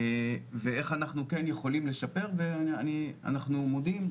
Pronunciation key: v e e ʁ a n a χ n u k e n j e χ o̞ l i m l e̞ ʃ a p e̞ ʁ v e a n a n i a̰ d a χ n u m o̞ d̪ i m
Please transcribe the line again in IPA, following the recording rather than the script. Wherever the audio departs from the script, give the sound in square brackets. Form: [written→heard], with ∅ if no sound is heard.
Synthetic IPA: v e e [ʁ→χ] a n a χ n u k e n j e χ o̞ l i m l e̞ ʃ a p e̞ ʁ v e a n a n i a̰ [d→n] a χ n u m o̞ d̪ i m